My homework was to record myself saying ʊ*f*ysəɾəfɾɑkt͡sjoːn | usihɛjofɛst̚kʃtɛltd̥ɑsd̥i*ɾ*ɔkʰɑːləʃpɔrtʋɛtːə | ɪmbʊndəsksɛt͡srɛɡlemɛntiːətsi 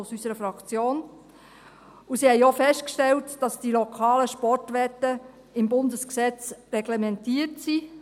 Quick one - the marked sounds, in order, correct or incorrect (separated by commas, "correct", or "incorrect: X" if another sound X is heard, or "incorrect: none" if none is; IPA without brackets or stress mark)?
incorrect: s, incorrect: l